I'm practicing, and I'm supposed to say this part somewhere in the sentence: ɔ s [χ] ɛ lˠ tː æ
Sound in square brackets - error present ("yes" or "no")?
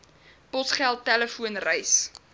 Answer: no